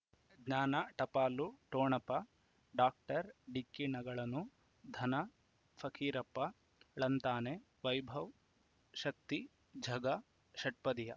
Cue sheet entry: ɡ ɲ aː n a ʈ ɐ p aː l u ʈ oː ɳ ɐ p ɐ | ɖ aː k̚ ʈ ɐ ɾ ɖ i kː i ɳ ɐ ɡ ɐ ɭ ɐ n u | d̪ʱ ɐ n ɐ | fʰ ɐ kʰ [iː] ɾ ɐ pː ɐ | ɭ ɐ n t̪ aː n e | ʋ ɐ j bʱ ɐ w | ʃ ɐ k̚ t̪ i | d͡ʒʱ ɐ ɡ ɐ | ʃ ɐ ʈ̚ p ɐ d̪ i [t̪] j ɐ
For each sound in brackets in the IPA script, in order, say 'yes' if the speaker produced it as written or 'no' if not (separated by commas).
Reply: yes, no